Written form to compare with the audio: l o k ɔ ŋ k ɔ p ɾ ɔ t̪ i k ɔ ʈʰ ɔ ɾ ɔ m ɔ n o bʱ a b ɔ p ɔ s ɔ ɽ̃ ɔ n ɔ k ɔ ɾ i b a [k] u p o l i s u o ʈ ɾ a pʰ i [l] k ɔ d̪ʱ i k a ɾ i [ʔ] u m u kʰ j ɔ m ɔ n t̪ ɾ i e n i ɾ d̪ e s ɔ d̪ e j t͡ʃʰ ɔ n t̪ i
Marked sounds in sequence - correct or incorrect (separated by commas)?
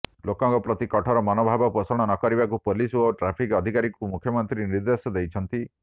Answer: correct, incorrect, incorrect